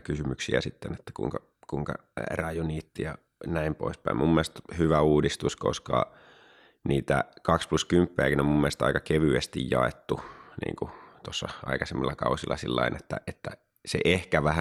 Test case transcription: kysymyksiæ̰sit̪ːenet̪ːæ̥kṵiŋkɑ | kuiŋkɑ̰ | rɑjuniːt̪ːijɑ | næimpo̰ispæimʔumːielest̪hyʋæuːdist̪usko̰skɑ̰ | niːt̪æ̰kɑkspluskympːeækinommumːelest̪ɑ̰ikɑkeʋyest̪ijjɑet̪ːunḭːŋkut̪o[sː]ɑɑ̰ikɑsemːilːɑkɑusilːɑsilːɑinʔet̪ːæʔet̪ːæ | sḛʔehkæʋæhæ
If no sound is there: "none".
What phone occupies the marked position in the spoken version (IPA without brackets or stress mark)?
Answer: sː